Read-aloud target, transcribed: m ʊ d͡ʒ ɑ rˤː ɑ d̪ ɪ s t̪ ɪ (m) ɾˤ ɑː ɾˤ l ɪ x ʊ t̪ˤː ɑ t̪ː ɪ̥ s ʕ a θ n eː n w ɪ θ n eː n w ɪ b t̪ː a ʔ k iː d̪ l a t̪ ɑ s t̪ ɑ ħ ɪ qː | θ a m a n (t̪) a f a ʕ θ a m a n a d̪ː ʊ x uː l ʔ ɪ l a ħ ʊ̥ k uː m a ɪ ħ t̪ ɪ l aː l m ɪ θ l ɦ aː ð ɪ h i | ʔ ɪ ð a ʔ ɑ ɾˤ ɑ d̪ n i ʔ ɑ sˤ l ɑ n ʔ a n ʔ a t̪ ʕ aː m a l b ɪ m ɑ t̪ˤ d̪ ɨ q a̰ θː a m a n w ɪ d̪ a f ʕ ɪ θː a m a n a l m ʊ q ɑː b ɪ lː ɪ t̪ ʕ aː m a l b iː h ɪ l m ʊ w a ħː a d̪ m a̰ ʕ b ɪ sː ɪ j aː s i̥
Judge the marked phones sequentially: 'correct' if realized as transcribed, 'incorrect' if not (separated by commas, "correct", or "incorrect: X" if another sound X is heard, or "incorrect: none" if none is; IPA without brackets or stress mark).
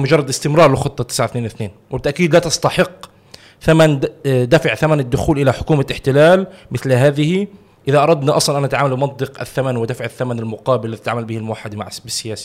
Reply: correct, incorrect: d̪